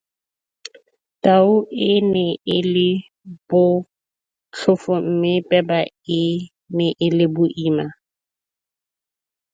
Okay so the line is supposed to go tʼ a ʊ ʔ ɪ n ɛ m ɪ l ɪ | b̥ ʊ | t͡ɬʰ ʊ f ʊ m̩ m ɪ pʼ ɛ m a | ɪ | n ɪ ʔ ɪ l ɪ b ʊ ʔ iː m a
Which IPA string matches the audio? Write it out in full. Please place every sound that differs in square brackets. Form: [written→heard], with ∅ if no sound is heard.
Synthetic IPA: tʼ a ʊ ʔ ɪ n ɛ [m→∅] ɪ l ɪ | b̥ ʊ | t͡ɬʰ ʊ f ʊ m̩ m ɪ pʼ ɛ [m→b] a | ɪ | n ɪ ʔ ɪ l ɪ b ʊ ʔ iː m a